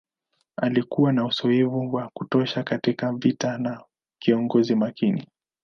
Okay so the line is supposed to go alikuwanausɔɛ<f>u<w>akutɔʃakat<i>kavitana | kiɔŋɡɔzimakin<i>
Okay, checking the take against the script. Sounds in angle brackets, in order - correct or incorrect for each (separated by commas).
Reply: incorrect, correct, correct, correct